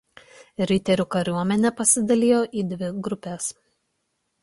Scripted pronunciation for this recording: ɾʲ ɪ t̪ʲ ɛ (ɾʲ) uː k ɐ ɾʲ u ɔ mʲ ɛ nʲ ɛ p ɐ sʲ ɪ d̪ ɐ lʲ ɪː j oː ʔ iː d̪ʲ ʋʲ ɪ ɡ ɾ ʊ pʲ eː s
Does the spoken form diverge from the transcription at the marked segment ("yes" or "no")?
no